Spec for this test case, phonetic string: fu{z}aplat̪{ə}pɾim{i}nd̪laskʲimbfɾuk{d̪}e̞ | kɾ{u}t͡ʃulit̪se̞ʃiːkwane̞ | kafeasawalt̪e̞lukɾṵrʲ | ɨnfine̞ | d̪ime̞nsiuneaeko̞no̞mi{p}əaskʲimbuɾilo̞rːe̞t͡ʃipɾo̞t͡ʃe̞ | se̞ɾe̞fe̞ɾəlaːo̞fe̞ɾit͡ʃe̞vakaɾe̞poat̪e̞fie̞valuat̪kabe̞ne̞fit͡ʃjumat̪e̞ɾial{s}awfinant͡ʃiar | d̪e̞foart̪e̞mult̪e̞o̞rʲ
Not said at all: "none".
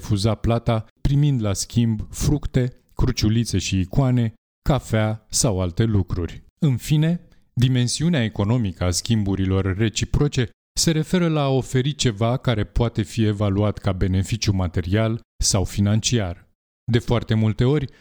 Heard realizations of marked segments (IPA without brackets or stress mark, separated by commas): z, a, i, t̪, u, k, s